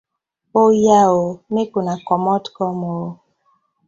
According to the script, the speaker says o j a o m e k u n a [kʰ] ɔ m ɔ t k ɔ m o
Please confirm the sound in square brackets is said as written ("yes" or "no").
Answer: no